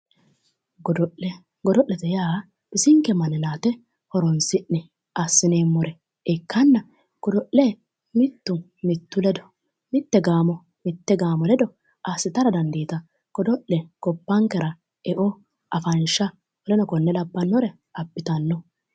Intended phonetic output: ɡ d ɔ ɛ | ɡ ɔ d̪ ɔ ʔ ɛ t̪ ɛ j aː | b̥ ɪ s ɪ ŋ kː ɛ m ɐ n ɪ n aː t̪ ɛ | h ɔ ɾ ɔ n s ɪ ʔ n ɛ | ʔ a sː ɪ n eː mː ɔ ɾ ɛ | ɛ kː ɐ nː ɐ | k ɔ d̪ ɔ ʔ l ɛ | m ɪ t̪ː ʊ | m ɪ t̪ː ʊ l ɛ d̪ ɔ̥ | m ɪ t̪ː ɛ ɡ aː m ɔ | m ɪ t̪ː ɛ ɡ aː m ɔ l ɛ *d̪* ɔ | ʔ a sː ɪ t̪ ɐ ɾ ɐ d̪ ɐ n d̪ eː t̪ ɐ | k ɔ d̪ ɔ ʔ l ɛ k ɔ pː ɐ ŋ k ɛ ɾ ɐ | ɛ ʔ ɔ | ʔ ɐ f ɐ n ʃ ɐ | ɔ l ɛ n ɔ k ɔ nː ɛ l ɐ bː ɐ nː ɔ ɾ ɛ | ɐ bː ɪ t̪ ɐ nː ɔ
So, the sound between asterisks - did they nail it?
yes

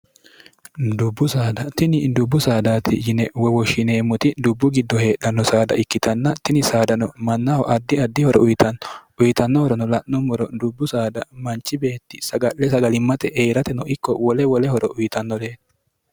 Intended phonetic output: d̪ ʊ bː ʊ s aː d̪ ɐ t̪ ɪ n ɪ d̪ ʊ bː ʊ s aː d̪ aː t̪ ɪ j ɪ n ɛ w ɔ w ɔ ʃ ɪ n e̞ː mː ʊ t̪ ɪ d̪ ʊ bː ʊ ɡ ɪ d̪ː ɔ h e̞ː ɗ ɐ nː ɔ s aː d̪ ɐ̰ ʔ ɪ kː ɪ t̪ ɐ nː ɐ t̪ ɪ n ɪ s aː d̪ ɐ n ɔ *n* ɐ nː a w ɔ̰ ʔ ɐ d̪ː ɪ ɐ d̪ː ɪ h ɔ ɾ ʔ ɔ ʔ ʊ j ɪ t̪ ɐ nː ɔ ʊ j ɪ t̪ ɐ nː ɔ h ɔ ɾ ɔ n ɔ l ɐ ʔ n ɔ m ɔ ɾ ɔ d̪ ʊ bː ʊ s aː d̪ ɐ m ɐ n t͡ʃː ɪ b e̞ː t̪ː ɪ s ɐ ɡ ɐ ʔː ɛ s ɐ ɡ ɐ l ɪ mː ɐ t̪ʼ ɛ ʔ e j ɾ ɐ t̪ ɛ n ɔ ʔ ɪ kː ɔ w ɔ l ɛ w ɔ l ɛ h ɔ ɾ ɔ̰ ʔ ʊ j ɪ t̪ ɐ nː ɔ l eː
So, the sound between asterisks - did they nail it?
no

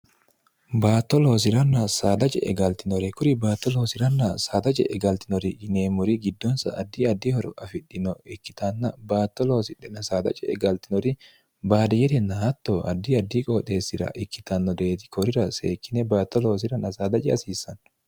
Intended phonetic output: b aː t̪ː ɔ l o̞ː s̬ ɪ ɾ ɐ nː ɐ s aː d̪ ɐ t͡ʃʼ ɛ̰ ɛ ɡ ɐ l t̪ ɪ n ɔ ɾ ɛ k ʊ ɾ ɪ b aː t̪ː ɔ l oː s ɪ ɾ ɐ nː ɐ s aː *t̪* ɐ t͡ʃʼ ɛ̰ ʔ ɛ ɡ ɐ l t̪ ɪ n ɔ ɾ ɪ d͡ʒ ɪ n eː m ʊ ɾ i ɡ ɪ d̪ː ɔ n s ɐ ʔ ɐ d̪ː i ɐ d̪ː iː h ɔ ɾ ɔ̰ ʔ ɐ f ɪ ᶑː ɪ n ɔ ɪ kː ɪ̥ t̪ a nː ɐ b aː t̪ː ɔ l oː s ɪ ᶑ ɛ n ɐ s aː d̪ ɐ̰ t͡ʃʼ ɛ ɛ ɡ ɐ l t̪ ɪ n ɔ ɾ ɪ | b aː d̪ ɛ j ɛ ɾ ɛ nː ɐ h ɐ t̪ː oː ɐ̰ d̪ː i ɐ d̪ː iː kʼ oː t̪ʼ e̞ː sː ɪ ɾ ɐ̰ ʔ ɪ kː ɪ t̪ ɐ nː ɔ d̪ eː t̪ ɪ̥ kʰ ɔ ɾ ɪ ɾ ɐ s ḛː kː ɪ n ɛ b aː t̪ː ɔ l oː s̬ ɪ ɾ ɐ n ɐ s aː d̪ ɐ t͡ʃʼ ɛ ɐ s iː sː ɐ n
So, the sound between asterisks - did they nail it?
no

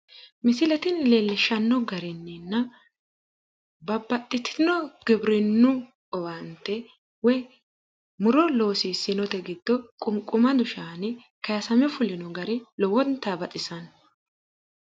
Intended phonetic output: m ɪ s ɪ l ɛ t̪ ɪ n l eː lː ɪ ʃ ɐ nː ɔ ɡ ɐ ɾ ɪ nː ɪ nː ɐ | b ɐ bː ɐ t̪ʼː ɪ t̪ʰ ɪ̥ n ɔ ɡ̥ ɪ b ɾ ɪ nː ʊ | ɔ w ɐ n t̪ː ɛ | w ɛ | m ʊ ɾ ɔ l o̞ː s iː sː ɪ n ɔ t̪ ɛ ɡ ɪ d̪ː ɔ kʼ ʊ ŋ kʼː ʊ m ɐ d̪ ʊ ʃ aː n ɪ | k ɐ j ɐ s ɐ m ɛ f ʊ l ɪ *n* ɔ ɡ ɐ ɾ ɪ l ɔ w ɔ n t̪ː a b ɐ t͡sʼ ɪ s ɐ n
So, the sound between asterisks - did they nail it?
yes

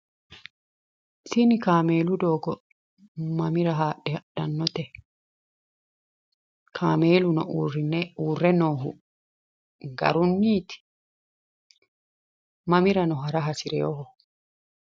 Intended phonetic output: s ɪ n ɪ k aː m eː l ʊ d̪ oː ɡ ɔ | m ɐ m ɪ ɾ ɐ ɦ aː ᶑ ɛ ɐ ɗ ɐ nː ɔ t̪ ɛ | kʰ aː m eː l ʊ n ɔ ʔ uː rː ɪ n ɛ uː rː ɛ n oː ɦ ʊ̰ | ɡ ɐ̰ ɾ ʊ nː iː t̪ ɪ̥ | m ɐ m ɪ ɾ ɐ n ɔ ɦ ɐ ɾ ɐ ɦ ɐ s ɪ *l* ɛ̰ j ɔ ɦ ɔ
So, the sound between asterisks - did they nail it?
no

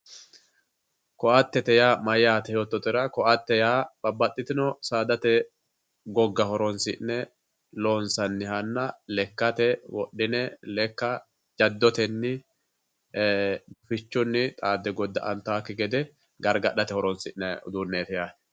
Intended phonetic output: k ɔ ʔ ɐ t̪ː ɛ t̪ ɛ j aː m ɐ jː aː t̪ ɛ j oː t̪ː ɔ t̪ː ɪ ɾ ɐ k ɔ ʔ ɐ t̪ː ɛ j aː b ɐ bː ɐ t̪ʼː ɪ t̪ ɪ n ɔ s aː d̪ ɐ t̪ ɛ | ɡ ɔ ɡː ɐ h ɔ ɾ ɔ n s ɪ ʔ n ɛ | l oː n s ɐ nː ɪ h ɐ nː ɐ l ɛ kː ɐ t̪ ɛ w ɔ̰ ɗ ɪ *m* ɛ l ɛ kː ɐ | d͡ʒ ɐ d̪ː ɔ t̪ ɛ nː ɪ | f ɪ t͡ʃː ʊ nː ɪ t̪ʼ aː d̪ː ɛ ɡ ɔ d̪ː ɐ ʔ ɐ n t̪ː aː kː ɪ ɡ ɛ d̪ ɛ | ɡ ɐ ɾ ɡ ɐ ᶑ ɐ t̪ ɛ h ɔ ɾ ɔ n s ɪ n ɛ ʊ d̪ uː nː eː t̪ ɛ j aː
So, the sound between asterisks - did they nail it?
no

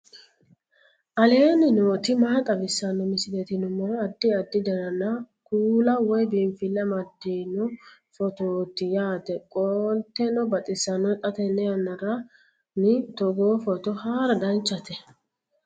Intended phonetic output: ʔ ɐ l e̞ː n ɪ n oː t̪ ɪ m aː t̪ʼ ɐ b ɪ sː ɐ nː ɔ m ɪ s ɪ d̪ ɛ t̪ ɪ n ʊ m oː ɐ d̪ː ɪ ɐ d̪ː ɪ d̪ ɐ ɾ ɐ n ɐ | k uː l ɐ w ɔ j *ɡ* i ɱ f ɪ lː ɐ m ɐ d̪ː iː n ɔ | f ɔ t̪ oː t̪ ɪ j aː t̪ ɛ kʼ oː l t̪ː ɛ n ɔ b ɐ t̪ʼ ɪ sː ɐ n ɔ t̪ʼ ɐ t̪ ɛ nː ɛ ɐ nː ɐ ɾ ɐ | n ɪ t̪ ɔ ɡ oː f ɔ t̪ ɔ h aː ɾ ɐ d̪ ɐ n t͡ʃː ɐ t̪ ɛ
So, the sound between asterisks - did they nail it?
no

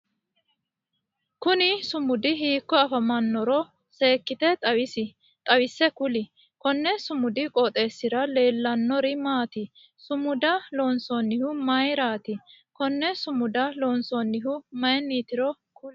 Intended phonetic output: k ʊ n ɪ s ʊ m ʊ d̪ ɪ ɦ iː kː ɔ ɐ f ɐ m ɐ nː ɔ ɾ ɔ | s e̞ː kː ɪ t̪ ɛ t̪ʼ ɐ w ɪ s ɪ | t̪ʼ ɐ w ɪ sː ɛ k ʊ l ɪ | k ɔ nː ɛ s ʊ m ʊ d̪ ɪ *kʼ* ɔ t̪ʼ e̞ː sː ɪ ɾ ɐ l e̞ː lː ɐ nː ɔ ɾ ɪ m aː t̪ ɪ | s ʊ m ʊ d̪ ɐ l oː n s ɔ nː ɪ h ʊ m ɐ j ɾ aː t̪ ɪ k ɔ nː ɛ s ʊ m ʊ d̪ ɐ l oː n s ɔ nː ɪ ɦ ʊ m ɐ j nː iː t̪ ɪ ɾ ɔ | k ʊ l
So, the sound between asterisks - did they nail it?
yes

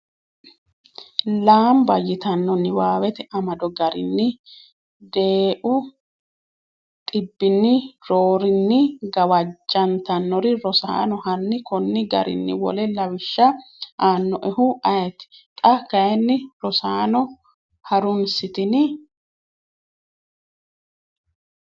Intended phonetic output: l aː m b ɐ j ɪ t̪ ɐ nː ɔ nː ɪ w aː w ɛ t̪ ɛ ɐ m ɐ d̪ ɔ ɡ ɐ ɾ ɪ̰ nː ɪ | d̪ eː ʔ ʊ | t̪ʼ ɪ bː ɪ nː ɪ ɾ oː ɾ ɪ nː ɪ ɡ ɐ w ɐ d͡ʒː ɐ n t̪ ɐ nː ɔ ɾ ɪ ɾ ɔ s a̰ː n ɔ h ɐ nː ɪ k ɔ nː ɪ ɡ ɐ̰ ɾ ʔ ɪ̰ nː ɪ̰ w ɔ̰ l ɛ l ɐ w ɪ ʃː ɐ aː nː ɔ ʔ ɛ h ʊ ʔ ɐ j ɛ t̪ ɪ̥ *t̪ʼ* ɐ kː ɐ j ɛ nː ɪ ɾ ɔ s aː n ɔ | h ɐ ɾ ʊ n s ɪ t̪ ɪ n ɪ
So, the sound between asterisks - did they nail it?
yes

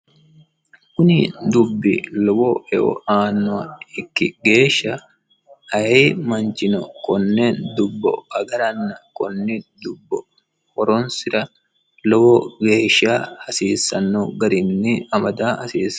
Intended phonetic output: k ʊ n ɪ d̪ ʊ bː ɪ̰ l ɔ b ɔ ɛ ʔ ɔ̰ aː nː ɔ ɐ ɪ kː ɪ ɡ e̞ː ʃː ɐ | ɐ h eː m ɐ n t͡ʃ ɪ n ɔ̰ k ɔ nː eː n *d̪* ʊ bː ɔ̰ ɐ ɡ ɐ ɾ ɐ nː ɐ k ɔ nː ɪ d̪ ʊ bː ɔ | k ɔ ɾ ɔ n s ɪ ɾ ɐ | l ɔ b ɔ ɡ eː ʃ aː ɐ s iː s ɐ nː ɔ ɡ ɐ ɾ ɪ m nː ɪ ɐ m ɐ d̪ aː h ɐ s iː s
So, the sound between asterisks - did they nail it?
yes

